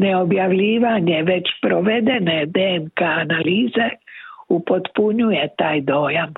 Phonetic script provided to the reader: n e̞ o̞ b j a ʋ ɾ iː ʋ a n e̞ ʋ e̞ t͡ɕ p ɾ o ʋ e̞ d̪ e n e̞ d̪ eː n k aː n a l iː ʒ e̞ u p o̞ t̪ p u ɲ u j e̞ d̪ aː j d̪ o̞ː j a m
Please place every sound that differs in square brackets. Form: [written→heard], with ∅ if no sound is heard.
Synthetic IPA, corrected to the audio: n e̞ o̞ b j a ʋ [ɾ→ʎ] iː ʋ a [n→ɲ] e̞ ʋ e̞ t͡ɕ p ɾ o ʋ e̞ d̪ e n e̞ d̪ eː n k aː n a l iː [ʒ→z] e̞ u p o̞ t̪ p u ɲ u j e̞ [d̪→t̪] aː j d̪ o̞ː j a m